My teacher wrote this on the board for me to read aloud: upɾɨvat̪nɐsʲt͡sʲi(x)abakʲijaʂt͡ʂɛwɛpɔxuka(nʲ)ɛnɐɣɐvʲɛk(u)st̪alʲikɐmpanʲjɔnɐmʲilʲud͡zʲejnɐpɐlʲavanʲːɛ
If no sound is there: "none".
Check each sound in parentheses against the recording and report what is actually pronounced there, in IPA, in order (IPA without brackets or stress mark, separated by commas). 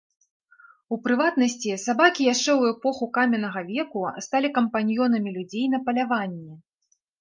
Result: s, mʲ, u